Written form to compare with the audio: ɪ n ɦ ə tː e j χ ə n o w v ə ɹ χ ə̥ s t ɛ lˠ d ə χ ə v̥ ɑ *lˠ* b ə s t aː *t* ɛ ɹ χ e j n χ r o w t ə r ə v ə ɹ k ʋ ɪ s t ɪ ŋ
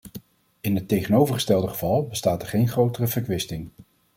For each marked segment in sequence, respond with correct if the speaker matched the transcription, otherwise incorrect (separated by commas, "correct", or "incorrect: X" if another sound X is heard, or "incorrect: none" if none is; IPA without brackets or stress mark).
correct, correct